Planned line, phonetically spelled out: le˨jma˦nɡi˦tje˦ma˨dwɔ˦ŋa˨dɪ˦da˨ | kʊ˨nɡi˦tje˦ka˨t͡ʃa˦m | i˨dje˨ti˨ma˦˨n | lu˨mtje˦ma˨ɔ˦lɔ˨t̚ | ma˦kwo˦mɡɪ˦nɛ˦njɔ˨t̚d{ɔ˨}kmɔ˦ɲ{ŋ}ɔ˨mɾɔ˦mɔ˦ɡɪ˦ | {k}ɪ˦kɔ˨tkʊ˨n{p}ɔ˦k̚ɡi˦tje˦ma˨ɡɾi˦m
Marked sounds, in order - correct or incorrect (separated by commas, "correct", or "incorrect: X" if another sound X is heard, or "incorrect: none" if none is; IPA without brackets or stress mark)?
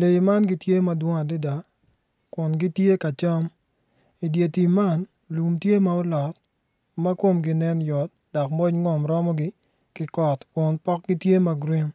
correct, correct, correct, correct